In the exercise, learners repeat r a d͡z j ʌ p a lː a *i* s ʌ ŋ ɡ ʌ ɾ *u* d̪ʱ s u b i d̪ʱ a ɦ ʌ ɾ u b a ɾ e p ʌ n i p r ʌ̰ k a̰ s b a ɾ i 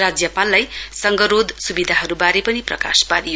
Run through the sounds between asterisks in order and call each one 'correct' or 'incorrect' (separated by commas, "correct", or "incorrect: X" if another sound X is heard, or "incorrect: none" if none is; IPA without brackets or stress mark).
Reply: incorrect: j, incorrect: o